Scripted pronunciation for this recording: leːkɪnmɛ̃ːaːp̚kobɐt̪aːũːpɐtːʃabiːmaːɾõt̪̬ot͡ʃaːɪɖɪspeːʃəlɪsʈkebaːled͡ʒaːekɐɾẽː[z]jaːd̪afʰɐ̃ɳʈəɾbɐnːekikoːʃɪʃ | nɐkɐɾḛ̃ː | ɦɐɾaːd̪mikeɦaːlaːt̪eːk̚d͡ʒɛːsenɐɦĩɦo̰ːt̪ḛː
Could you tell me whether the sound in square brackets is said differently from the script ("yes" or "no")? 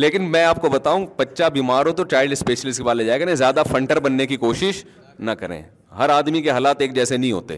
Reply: no